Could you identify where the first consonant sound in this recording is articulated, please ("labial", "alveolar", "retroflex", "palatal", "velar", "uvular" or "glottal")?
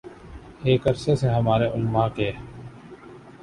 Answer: velar